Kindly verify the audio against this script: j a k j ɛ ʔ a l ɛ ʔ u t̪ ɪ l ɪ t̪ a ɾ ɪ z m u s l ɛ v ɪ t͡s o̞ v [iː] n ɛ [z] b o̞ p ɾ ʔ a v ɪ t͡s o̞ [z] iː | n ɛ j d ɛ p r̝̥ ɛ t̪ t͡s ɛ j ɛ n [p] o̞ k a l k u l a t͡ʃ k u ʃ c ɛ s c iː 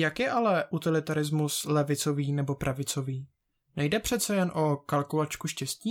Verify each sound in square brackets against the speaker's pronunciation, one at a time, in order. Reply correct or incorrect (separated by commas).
correct, incorrect, incorrect, incorrect